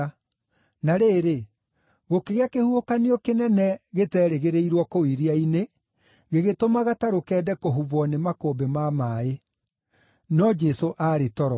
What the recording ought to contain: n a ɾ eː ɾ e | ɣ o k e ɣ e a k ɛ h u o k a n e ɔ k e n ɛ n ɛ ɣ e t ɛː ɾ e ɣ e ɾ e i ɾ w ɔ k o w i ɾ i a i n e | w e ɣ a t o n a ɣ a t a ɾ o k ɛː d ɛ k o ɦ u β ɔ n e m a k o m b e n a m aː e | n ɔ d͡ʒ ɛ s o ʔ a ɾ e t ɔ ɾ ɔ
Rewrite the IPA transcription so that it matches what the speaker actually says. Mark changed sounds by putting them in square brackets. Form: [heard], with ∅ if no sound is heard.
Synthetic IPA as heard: n a ɾ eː ɾ e | ɣ o k e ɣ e a k [e] h u o k a n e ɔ k e n ɛ n ɛ ɣ e t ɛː ɾ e ɣ e ɾ e i ɾ w ɔ k o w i ɾ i a i n e | [ɣ] e ɣ [e] t o [m] a ɣ a t a ɾ o k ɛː d ɛ k o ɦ u β ɔ n e m a k o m b e [m] a m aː e | n ɔ d͡ʒ ɛ s o ʔ a ɾ e t ɔ ɾ ɔ